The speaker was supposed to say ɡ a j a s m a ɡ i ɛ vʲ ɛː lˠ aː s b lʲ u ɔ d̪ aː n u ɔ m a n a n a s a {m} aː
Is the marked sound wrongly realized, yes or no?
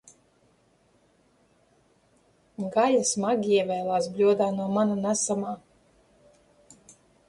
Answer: no